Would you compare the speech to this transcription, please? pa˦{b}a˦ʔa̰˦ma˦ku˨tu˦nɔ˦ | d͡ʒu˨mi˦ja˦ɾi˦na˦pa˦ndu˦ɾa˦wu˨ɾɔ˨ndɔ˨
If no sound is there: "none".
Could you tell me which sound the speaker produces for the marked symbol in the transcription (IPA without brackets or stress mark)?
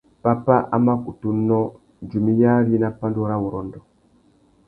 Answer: p